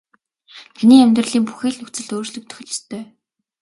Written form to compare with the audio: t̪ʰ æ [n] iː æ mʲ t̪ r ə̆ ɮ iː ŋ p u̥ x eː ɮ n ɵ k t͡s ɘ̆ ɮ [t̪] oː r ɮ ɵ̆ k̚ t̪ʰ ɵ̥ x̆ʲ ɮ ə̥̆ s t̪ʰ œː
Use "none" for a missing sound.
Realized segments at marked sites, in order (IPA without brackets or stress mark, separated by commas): n, t̪